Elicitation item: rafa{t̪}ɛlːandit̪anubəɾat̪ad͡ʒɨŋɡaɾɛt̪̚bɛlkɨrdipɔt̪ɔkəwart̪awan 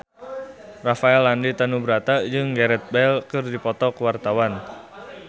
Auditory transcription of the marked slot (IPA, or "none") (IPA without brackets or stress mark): none